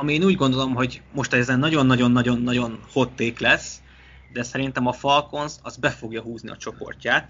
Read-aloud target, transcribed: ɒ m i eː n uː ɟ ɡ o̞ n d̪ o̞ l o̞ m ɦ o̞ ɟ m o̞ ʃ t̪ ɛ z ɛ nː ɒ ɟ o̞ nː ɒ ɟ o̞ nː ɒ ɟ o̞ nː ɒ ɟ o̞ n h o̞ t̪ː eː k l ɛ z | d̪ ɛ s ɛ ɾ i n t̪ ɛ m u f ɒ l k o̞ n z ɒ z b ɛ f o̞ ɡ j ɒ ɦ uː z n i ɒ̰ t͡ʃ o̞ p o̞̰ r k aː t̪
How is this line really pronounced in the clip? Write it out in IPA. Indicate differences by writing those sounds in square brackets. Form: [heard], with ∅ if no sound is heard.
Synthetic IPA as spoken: ɒ m i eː n uː ɟ ɡ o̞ n d̪ o̞ l o̞ m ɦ o̞ ɟ m o̞ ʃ t̪ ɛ z ɛ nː ɒ ɟ o̞ nː ɒ ɟ o̞ nː ɒ ɟ o̞ nː ɒ ɟ o̞ n h o̞ t̪ː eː k l ɛ [s] | d̪ ɛ s ɛ ɾ i n t̪ ɛ m [ɒ] f ɒ l k o̞ n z ɒ z b ɛ f o̞ ɡ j ɒ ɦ uː z n i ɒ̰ t͡ʃ o̞ p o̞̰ r [c] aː t̪